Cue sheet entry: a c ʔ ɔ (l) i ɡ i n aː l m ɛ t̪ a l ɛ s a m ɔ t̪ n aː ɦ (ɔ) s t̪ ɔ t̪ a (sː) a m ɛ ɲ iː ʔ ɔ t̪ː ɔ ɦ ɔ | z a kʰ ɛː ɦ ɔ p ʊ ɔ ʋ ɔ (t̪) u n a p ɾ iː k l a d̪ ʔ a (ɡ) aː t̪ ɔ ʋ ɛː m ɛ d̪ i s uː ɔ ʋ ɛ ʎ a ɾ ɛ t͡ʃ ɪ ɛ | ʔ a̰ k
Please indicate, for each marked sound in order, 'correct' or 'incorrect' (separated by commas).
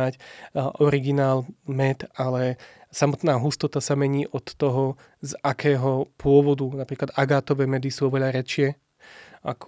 incorrect, incorrect, incorrect, incorrect, correct